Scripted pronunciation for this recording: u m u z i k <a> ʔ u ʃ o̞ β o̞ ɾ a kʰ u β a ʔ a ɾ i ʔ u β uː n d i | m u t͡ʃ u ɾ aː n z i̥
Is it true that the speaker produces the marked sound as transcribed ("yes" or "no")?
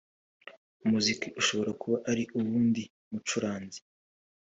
no